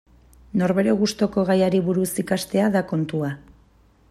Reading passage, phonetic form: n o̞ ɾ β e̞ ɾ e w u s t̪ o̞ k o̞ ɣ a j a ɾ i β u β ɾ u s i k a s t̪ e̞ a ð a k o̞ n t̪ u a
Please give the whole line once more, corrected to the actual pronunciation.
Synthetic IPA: n o̞ ɾ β e̞ ɾ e ɣ u s t̪ o̞ k o̞ ɣ a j a ɾ i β u ɾ u s i k a s t̪ e̞ a ð a k o̞ n t̪ u a